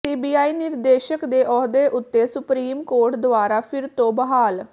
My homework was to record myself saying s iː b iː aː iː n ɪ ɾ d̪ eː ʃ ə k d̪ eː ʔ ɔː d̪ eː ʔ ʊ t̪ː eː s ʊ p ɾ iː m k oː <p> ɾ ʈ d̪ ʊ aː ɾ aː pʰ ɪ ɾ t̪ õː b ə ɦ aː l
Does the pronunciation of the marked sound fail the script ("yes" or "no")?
yes